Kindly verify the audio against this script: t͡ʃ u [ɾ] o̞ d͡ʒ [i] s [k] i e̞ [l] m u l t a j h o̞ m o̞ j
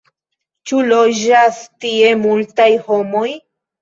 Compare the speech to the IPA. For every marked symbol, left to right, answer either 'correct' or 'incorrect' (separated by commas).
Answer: incorrect, incorrect, incorrect, incorrect